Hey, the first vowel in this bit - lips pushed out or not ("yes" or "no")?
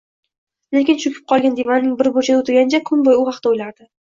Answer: no